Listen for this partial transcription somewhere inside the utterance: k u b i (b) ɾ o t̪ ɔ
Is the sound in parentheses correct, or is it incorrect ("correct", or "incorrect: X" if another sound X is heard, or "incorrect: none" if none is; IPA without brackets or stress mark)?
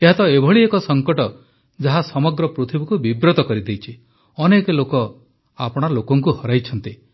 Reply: correct